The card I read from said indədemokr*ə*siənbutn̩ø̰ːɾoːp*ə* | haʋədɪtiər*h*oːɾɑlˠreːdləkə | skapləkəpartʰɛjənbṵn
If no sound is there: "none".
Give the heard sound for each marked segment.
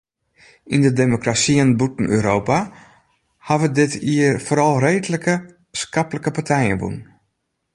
a, a, f

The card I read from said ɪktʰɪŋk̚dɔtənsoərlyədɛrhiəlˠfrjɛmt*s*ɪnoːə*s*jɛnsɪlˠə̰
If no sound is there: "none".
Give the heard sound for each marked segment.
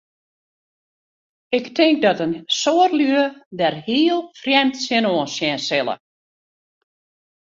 s, s

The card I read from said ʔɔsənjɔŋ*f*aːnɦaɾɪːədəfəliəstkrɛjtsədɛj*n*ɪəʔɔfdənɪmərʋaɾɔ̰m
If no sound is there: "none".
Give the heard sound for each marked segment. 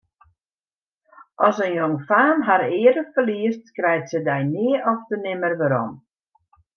f, n

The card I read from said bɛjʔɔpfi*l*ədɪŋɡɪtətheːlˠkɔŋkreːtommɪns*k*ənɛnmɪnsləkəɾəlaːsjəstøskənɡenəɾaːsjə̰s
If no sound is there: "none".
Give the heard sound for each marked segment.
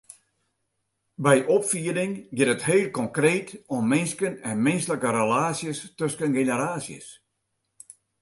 none, k

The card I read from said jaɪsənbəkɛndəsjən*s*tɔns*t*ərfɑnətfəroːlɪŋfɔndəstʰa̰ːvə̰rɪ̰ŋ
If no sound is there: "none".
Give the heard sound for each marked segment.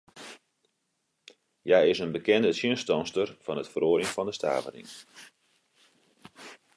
s, t

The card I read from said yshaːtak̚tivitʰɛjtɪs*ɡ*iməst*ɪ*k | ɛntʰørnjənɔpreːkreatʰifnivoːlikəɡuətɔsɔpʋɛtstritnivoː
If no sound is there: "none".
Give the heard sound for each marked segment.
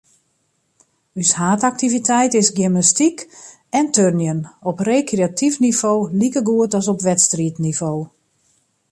ɡ, i

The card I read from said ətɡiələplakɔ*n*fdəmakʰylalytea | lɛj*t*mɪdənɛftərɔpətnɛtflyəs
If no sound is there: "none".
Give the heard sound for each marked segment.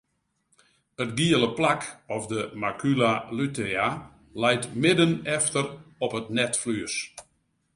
none, t

